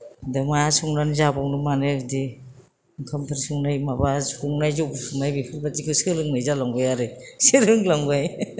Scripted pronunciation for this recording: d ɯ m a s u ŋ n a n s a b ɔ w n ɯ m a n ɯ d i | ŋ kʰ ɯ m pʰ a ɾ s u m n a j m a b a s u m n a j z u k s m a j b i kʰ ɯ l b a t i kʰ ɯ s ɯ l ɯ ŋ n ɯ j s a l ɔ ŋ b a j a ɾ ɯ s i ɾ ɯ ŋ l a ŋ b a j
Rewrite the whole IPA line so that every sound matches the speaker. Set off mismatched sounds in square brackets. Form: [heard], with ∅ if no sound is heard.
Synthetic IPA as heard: d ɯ m a s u ŋ n a n [z] a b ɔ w n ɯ m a n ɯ d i | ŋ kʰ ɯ m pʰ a ɾ s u [ŋ] n a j m a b a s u [ŋ] n a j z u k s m a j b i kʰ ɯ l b a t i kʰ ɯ s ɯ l ɯ ŋ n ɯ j [z] a l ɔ ŋ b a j a ɾ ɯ s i ɾ ɯ ŋ l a ŋ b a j